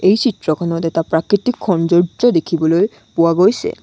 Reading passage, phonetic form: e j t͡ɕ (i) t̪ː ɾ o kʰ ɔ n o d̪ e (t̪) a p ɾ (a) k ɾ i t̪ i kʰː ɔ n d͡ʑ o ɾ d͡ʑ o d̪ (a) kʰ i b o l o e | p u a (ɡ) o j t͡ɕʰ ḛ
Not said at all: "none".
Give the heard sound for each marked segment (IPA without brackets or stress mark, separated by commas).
i, t̪, a, e, ɡ